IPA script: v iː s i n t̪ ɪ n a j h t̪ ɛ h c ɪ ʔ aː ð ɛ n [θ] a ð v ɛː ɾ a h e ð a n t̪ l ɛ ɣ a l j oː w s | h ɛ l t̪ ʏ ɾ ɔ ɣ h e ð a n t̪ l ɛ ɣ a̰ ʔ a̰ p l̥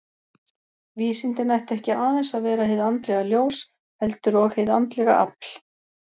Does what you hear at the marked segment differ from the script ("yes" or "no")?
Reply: yes